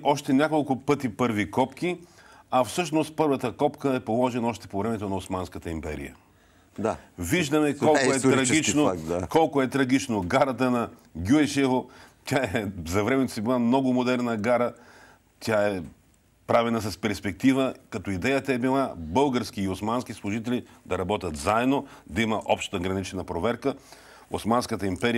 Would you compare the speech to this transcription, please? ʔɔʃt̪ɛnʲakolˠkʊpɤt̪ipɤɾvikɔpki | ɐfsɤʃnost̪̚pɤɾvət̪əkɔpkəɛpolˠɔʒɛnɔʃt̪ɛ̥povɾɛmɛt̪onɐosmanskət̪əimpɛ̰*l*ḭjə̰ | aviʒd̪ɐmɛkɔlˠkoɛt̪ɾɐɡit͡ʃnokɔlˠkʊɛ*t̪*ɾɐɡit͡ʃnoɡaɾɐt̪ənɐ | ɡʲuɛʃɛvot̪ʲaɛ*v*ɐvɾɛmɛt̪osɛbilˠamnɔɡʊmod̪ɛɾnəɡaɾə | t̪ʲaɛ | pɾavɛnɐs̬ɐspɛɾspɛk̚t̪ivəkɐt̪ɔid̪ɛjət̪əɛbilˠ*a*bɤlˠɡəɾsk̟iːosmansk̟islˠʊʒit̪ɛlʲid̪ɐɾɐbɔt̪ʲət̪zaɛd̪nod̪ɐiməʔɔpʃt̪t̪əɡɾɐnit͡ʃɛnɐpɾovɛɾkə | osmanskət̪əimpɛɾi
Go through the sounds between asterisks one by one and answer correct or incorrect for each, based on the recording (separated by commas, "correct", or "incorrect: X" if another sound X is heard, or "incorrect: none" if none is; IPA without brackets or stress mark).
incorrect: ɾ, correct, incorrect: z, correct